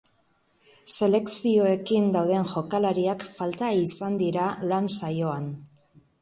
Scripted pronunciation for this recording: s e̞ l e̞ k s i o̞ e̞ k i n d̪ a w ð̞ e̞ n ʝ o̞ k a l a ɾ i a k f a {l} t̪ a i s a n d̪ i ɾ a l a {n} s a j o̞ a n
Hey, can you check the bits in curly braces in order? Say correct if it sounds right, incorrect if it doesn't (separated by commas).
correct, correct